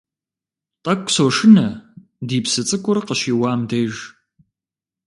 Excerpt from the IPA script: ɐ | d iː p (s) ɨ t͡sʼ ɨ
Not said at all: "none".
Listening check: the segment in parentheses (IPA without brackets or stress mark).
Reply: s